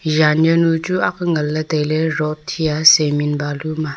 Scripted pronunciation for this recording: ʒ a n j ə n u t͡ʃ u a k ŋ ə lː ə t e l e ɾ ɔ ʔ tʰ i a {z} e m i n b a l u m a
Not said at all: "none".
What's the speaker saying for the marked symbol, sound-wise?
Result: s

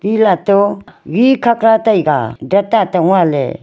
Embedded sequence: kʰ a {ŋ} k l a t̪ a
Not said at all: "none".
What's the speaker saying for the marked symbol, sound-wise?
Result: none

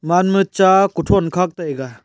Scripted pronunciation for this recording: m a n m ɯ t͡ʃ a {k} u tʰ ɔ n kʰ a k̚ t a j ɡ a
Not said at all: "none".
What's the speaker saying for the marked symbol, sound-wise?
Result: k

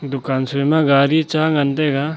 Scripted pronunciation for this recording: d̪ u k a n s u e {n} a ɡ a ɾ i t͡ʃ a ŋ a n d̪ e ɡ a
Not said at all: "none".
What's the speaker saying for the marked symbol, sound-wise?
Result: m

